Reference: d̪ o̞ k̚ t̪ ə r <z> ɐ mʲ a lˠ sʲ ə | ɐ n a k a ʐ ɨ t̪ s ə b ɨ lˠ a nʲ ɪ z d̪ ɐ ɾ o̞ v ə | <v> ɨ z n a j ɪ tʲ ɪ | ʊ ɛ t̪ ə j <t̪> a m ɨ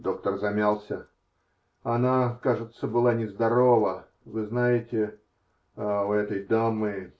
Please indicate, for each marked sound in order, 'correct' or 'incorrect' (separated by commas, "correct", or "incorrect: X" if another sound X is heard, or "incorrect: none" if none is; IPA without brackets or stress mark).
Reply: correct, correct, incorrect: d̪